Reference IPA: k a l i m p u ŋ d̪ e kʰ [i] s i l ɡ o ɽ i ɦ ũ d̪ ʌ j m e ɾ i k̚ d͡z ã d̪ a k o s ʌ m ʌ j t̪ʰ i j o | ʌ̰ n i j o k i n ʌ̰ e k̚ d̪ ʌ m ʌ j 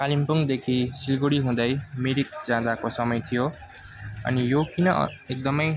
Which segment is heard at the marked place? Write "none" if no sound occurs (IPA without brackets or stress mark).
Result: i